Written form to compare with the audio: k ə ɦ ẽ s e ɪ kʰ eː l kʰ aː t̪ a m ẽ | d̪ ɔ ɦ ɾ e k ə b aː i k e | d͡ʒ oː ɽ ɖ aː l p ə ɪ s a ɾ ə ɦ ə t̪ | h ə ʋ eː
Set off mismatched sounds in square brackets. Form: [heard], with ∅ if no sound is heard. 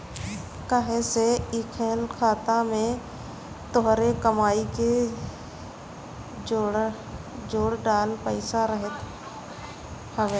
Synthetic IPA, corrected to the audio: k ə ɦ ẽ s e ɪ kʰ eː l kʰ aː t̪ a m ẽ | [t̪] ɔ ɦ ɾ e k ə [m] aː i k e | d͡ʒ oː ɽ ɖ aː l p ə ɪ s a ɾ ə ɦ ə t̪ | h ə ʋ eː